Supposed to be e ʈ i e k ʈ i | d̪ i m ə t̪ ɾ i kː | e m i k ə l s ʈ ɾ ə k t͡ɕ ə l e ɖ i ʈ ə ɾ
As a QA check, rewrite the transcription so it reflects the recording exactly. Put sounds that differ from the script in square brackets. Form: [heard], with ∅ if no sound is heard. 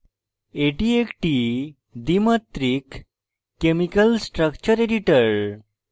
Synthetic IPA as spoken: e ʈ i e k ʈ i | d̪ i m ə t̪ ɾ i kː | e m i k ə l s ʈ ɾ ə k t͡ɕ ə [ɾ] e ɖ i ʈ ə ɾ